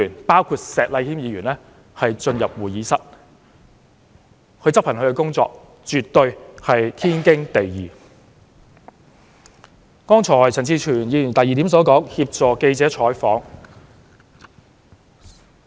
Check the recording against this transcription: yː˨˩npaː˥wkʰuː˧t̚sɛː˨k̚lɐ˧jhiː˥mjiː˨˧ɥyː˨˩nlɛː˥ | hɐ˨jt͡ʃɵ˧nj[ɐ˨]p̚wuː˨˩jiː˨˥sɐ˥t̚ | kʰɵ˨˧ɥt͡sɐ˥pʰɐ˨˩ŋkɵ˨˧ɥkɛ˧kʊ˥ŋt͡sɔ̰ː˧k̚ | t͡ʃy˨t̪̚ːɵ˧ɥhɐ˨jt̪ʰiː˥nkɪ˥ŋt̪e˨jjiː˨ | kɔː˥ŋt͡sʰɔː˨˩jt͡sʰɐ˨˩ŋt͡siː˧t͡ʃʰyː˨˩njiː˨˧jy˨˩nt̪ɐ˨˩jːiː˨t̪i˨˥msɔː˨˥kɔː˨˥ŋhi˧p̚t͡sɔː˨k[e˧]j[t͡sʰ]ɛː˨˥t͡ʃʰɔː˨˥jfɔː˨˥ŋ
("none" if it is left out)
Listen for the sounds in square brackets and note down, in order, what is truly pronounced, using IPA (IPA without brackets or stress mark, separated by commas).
ɐ˨, e˧, t͡s